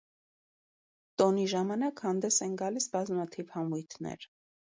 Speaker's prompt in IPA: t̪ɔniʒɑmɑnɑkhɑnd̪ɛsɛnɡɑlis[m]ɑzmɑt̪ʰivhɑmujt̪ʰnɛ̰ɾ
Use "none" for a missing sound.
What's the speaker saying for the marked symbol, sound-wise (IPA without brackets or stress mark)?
b